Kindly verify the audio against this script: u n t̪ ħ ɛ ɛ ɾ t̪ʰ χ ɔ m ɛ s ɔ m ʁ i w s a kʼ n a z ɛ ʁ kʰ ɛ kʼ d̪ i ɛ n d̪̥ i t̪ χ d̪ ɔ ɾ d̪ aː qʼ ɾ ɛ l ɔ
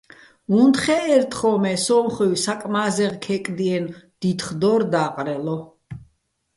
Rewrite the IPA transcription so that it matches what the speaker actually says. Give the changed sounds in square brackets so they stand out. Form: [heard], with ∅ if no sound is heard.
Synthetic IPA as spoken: u n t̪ [χ] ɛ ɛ ɾ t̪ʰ χ ɔ m ɛ s ɔ m [χ] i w s a kʼ [m] a z ɛ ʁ kʰ ɛ kʼ d̪ i ɛ n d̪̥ i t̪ χ d̪ ɔ ɾ d̪ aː qʼ ɾ ɛ l ɔ

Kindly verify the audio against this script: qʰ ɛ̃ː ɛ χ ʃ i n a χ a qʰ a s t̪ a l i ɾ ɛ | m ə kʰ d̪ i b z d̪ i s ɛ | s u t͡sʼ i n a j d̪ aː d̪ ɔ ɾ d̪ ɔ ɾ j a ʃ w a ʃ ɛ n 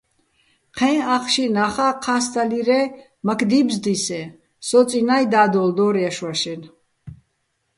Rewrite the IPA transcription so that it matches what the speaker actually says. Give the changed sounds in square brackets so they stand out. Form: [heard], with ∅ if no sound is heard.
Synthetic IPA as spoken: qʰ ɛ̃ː [a] χ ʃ i n a χ a qʰ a s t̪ a l i ɾ ɛ | m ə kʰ d̪ i b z d̪ i s ɛ | s [ɔ] t͡sʼ i n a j d̪ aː d̪ ɔ [l] d̪ ɔ ɾ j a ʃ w a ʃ ɛ n

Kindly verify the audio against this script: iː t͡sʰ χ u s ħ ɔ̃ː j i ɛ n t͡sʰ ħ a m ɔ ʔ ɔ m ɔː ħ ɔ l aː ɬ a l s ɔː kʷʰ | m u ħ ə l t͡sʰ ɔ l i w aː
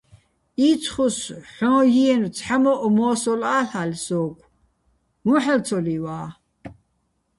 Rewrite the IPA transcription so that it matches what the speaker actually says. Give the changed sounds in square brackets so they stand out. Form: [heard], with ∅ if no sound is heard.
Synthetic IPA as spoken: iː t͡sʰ χ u s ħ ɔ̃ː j i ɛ n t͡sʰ ħ a m ɔ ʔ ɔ m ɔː [s] ɔ l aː ɬ a l s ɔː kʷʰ | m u ħ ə l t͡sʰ ɔ l i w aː

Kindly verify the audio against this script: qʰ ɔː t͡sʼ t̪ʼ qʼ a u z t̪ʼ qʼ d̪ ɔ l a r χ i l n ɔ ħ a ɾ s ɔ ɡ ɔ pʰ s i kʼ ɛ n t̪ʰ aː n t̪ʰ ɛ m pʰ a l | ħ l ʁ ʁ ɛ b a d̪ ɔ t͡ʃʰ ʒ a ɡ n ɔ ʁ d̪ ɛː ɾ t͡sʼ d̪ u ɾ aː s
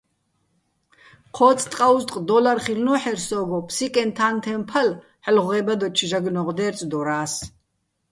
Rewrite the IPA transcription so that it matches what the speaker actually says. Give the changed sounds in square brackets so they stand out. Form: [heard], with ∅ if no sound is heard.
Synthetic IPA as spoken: qʰ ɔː t͡sʼ t̪ʼ qʼ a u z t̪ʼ qʼ d̪ ɔ l a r χ i l n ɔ ħ [ɛ] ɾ s ɔ ɡ ɔ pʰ s i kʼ ɛ n t̪ʰ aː n t̪ʰ ɛ m pʰ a l | ħ l ʁ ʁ ɛ b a d̪ ɔ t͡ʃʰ ʒ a ɡ n ɔ ʁ d̪ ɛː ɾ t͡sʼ d̪ [ɔ] ɾ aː s

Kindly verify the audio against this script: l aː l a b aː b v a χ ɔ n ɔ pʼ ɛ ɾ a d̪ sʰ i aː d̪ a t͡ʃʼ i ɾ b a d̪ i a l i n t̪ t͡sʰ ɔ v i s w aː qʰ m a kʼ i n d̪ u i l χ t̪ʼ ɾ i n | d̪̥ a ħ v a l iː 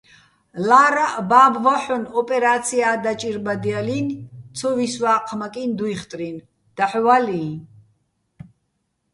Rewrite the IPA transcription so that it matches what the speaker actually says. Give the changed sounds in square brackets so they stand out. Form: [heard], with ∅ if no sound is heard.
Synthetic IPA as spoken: l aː [ɾ] a b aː b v a [ħ] ɔ n ɔ pʼ ɛ ɾ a [t̪] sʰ i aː d̪ a t͡ʃʼ i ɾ b a d̪ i a l i n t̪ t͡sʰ ɔ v i s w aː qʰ m a kʼ i n d̪ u i [∅] χ t̪ʼ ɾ i n | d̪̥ a ħ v a l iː

